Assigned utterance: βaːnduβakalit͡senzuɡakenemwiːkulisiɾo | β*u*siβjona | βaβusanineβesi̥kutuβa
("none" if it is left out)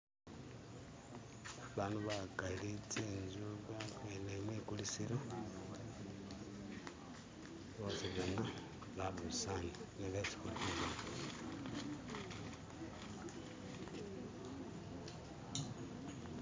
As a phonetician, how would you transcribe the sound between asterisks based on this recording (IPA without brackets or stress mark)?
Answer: o